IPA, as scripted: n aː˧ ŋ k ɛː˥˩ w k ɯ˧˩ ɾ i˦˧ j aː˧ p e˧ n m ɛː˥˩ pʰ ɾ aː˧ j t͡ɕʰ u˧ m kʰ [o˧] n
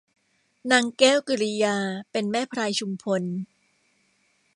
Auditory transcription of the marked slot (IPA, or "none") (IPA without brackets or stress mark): o˧